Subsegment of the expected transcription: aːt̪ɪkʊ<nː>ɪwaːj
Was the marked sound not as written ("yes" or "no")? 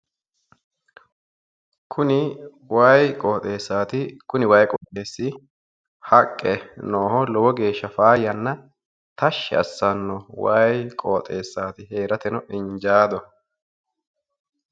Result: yes